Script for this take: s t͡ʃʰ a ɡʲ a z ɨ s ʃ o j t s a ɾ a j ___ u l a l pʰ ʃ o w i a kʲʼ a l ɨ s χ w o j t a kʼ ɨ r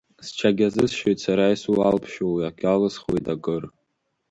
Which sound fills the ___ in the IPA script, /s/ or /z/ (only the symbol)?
s